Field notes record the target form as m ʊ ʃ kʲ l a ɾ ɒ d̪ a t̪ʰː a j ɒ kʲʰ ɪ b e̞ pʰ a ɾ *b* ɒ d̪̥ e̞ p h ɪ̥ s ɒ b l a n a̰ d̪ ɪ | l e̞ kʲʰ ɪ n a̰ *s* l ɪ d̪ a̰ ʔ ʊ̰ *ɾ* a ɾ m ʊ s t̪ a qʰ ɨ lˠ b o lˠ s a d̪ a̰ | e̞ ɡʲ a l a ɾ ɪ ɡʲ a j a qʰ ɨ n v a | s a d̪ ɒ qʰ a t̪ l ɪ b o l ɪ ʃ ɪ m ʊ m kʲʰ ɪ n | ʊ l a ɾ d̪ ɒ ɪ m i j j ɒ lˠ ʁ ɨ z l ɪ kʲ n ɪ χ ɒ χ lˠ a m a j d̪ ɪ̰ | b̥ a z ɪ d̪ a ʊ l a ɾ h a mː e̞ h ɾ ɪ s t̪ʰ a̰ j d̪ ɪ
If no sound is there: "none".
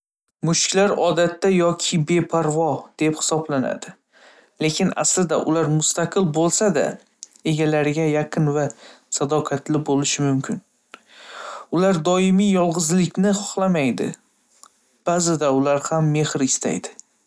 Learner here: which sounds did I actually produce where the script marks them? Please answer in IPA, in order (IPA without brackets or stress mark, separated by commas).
v, s, l